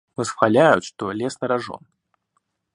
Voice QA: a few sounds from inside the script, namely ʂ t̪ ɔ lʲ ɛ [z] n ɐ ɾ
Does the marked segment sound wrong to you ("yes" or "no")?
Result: yes